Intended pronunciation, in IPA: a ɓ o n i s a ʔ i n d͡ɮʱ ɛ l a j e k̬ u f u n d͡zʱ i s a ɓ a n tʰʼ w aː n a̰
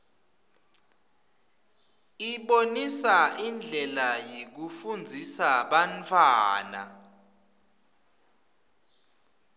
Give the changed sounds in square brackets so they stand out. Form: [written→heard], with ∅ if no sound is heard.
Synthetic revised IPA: [a→i] ɓ o n i s a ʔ i n d͡ɮʱ ɛ l a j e k̬ u f u n d͡zʱ i s a ɓ a n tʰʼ w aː n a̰